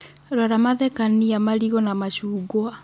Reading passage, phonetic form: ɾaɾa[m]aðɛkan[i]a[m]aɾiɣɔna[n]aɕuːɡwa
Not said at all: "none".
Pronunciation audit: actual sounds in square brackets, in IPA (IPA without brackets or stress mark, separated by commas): m, i, m, m